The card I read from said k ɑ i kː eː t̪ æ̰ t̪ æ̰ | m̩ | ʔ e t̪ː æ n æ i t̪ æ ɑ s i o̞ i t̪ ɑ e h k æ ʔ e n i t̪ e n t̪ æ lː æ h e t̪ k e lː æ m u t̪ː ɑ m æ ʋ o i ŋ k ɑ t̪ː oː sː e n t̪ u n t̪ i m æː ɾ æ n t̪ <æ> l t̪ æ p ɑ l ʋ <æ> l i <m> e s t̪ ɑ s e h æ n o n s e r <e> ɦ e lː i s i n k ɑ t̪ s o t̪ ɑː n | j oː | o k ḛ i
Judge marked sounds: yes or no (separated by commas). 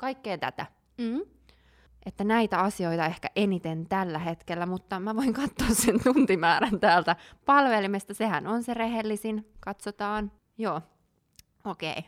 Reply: no, no, yes, yes